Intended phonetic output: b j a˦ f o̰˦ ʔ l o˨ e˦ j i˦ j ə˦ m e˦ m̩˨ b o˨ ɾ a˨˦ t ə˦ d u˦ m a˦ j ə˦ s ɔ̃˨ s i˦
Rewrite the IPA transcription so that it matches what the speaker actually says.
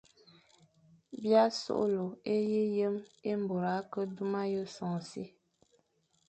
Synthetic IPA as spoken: b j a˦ s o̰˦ ʔ l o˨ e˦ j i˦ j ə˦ m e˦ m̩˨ b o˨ ɾ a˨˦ k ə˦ d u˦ m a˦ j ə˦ s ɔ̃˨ s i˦